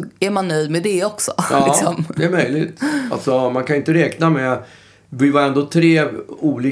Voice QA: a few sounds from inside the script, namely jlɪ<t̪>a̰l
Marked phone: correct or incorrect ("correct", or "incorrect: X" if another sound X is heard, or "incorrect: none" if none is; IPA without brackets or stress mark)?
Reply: correct